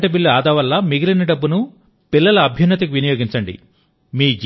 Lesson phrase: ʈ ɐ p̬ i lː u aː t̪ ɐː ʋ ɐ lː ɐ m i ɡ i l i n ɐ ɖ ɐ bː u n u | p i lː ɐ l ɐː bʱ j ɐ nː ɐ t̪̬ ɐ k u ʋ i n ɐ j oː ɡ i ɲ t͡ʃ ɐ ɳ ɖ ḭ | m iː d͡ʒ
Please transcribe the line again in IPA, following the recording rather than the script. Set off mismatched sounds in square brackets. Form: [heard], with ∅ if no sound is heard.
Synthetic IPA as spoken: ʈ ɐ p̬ i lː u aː [d̪] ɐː ʋ ɐ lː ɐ m i ɡ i l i n ɐ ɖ ɐ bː u n u | p i lː ɐ l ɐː bʱ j ɐ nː ɐ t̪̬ ɐ k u ʋ i n ɐ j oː ɡ i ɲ t͡ʃ ɐ ɳ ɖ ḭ | m iː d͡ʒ